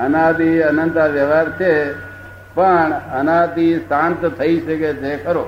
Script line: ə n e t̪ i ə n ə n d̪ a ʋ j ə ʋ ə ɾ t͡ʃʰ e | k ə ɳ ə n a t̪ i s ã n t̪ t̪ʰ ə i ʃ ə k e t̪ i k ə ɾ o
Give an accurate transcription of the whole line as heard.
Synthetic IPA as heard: ə n a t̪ i ə n ə n t̪ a ʋ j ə ʋ a ɾ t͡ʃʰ e | p ə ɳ ə n a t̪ i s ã n t̪ t̪ʰ ə i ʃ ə k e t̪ e k ə ɾ o